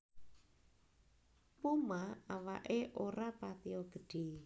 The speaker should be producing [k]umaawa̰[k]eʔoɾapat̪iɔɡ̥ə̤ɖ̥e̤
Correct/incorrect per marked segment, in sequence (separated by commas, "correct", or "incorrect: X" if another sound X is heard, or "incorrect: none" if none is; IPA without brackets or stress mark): incorrect: p, incorrect: ʔ